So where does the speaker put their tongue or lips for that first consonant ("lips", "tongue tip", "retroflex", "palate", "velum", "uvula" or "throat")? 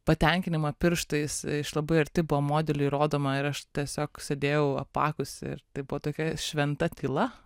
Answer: lips